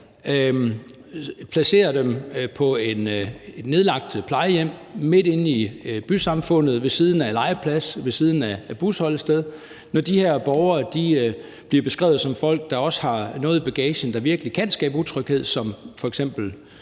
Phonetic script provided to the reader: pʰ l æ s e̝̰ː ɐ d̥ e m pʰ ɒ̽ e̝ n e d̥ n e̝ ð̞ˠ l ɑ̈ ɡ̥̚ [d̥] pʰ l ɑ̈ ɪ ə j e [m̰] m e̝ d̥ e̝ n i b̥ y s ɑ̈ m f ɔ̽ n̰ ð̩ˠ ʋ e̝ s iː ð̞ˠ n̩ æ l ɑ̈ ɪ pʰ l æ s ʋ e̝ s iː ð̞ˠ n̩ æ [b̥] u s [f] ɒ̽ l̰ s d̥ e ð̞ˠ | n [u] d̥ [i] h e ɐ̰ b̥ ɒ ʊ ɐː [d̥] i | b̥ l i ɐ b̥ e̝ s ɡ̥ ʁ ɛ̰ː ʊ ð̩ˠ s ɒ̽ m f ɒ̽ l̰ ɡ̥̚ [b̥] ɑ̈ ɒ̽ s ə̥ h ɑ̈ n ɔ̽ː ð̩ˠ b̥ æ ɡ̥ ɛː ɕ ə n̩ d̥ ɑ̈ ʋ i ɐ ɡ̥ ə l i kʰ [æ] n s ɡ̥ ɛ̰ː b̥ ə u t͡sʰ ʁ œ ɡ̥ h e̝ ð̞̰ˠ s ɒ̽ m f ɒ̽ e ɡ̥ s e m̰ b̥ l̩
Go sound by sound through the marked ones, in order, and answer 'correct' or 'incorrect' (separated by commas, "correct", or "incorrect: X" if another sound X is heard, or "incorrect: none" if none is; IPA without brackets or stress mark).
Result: correct, correct, correct, incorrect: h, incorrect: ɒ, correct, correct, incorrect: d̥, correct